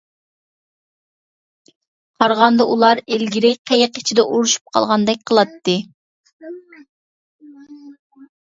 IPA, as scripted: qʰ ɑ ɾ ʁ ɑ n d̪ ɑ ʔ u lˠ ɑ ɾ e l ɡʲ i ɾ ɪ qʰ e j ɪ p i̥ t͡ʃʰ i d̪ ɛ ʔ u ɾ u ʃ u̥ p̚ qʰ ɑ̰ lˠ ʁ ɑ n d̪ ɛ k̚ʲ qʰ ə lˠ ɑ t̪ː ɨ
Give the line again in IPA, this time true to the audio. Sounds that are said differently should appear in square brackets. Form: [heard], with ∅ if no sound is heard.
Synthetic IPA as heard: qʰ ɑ ɾ ʁ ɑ n d̪ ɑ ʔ u lˠ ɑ ɾ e l ɡʲ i ɾ ɪ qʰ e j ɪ [q] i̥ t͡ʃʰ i d̪ ɛ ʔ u ɾ u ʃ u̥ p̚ qʰ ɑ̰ lˠ ʁ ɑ n d̪ ɛ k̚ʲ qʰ ə lˠ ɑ t̪ː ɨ